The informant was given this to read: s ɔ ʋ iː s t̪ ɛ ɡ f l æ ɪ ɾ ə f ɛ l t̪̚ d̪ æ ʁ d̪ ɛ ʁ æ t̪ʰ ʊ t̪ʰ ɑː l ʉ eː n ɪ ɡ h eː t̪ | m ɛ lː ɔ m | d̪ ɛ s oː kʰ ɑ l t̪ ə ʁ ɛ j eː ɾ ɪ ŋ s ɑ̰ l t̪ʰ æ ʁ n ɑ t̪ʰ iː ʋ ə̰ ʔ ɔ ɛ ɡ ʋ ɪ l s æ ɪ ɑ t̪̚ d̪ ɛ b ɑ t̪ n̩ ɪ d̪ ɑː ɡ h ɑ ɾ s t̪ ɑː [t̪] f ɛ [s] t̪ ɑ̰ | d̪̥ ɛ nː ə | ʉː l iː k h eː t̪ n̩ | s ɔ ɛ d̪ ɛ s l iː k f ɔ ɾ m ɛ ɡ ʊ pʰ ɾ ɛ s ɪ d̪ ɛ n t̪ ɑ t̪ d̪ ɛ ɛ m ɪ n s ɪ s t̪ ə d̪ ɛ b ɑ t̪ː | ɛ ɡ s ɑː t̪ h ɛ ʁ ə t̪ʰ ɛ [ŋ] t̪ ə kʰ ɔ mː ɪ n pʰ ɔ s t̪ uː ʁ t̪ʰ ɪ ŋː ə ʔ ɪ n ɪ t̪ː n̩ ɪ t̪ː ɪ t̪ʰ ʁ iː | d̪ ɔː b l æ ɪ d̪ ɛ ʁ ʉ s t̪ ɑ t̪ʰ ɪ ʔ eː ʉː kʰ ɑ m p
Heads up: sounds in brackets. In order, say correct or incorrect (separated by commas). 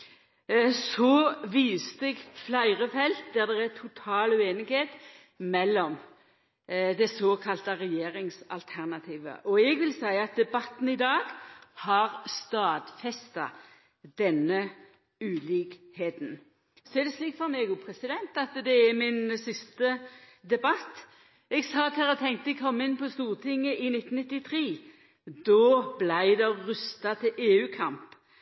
incorrect, correct, correct